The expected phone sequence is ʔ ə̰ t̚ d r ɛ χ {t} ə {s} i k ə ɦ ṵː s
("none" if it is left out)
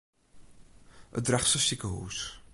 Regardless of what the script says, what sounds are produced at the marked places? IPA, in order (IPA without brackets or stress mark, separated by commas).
s, s